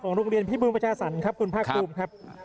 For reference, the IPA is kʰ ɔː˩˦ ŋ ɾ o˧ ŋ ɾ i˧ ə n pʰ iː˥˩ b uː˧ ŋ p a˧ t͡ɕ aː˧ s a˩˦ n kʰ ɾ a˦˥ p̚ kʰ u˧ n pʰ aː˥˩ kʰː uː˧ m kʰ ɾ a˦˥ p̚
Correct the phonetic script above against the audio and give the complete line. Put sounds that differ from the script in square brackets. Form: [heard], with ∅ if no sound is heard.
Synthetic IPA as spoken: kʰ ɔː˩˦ ŋ ɾ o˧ ŋ ɾ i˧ ə n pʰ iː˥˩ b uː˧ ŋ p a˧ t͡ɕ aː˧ s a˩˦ n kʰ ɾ a˦˥ p̚ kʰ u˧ n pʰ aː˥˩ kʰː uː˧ m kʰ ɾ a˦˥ p̚